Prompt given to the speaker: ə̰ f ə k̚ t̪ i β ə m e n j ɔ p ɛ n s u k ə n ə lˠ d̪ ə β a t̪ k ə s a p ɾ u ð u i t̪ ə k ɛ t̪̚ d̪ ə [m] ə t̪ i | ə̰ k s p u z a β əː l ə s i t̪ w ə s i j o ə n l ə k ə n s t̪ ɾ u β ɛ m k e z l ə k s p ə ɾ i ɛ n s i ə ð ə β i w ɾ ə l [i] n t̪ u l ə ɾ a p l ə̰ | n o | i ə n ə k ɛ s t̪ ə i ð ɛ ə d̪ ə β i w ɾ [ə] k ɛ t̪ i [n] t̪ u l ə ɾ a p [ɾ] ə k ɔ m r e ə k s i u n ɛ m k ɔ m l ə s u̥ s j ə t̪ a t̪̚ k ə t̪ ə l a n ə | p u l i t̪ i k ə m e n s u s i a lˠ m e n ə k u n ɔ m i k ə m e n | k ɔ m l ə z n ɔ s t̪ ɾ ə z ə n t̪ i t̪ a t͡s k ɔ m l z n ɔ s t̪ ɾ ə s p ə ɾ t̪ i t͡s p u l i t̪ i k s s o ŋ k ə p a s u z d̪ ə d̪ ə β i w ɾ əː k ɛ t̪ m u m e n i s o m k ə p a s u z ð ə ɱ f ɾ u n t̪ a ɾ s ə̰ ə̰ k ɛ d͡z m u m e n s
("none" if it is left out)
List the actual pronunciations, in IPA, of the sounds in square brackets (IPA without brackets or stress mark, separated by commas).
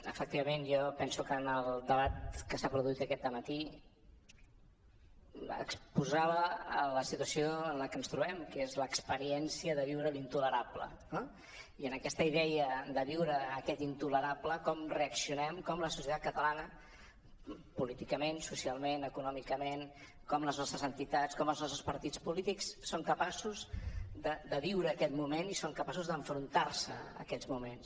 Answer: m, i, əː, n, l